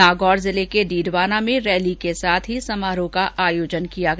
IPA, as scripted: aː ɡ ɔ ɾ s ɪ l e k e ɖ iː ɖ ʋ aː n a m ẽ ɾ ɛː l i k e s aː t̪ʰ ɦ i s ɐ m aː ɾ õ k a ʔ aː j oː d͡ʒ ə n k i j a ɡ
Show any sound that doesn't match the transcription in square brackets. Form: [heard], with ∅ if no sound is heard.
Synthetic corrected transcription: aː ɡ [ɔː] ɾ [z] ɪ l e k e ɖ iː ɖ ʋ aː n a m ẽ ɾ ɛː l i k e s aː t̪ʰ ɦ i s ɐ m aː ɾ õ k a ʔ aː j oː d͡ʒ ə n k i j a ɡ